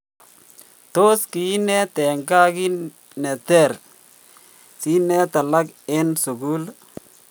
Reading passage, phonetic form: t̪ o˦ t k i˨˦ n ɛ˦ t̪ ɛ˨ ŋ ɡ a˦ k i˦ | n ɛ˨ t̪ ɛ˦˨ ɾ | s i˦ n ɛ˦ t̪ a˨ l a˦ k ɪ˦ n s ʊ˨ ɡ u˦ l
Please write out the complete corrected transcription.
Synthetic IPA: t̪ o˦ s k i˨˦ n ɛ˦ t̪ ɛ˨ ŋ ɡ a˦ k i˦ | n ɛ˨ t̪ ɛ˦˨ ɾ | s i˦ n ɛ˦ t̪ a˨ l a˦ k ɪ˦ n s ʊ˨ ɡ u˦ l